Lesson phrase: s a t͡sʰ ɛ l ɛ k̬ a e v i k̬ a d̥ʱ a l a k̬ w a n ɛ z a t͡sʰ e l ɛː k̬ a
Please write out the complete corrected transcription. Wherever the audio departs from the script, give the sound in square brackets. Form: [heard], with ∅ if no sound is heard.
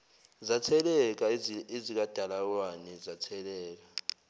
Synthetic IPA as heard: [z] a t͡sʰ ɛ l ɛ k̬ a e [z] i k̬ a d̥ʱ a l a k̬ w a n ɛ z a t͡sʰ [ɛ] l ɛː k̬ a